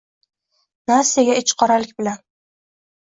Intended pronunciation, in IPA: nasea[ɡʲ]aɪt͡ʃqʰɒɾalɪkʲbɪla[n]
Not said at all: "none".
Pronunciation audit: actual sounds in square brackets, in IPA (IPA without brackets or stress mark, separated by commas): ɡʲ, n